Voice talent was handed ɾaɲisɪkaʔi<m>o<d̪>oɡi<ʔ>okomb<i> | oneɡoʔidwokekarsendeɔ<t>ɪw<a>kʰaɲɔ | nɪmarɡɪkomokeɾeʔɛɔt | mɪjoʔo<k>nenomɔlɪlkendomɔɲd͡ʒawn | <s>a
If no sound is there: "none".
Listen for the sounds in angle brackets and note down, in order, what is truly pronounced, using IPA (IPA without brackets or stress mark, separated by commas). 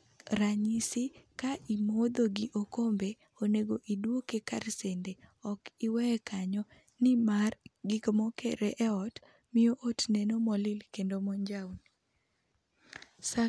m, d̪, ʔ, e, k, ɛ, t, s